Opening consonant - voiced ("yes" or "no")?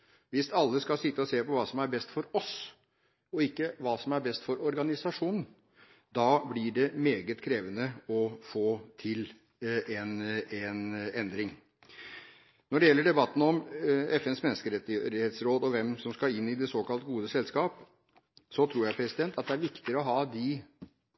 yes